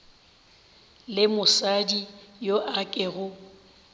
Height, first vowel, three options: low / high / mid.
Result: high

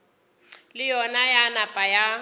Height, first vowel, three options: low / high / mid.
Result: high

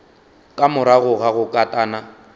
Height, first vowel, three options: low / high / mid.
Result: low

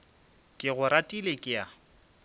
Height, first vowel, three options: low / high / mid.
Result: high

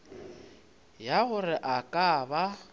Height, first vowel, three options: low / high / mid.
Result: low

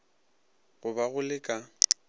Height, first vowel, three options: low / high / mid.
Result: high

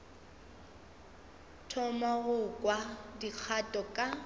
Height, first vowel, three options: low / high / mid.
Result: mid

